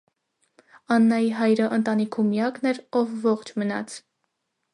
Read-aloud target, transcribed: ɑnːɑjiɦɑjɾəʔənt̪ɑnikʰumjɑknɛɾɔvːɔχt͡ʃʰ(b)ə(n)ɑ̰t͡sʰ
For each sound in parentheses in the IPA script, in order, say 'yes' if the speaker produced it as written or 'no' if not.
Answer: no, yes

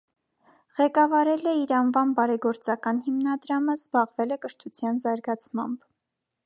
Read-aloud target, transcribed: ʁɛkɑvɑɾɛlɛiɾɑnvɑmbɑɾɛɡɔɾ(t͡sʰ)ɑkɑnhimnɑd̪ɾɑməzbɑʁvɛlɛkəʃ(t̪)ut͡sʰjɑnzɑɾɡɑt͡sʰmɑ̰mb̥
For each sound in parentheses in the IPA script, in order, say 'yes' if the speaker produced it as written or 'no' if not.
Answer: no, no

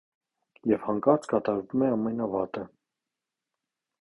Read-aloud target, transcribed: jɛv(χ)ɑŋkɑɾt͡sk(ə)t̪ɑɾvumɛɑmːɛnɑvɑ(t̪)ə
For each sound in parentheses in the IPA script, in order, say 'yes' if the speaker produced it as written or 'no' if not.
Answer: no, no, yes

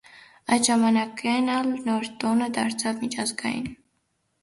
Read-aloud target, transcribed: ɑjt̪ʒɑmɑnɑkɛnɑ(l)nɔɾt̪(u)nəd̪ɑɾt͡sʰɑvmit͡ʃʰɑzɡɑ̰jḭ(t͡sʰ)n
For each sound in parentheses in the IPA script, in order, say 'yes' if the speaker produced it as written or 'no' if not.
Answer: yes, no, no

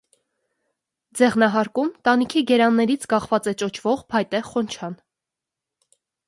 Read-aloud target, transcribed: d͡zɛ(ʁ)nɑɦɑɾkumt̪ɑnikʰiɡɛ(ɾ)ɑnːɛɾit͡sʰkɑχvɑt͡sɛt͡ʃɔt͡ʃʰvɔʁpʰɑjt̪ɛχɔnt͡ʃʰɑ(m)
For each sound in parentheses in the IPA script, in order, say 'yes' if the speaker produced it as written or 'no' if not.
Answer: yes, yes, no

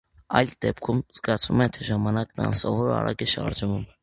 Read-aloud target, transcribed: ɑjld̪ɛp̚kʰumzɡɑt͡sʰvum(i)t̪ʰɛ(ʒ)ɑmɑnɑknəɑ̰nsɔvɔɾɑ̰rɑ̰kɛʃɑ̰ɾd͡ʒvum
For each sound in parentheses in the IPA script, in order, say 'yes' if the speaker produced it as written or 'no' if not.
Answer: no, yes

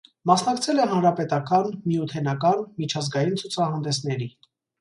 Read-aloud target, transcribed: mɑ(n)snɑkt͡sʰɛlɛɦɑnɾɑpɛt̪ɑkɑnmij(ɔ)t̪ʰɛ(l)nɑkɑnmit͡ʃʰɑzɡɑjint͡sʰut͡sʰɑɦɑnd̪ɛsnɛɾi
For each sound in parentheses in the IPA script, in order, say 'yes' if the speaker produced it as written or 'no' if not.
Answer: no, no, no

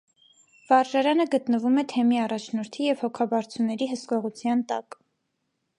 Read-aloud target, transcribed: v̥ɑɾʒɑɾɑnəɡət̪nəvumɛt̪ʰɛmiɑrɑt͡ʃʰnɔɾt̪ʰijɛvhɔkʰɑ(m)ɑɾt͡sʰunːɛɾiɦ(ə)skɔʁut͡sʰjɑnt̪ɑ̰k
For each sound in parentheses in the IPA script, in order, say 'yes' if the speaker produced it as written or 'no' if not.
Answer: no, yes

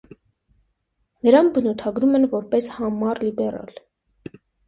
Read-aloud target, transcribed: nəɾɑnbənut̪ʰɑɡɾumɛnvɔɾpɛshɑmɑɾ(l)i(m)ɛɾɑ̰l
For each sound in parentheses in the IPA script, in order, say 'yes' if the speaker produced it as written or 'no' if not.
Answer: yes, no

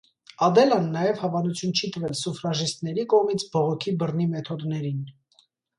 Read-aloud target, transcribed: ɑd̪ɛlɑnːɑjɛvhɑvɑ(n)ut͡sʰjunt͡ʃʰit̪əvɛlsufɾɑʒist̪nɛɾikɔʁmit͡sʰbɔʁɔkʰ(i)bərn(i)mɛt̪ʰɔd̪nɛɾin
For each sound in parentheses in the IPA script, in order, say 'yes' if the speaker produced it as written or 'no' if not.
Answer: yes, yes, yes

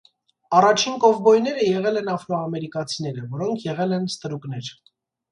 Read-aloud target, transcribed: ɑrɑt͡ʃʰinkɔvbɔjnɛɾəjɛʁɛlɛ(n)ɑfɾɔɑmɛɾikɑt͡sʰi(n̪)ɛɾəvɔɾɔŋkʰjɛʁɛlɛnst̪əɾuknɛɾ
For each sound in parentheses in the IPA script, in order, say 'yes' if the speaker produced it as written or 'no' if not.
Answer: yes, yes

